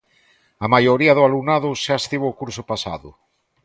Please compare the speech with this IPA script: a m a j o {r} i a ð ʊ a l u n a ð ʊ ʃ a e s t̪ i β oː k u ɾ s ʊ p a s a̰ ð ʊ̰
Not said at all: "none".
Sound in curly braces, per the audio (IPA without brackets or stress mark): ɾ